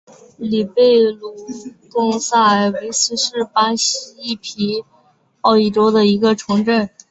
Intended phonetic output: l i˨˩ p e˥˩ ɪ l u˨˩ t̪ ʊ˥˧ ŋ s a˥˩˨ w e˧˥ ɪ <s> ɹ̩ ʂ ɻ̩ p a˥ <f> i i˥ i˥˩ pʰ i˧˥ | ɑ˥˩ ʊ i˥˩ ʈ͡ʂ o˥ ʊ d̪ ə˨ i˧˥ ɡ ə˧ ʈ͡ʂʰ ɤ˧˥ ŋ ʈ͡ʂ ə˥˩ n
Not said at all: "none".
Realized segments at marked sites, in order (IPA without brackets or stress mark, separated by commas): s, ɕ